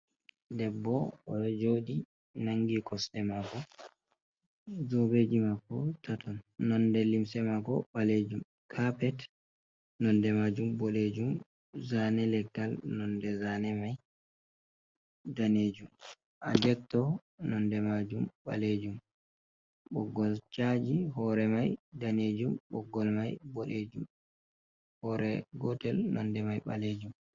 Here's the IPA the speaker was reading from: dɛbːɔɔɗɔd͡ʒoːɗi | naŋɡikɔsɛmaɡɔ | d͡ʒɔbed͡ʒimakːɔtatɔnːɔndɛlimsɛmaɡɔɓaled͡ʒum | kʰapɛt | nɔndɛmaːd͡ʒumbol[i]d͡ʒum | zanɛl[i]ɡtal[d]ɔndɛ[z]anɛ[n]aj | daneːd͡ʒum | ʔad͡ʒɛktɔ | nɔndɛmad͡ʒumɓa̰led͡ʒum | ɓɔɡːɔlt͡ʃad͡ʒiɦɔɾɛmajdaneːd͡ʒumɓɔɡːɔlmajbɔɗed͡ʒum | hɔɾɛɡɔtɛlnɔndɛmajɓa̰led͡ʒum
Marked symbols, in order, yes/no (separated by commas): no, no, no, yes, no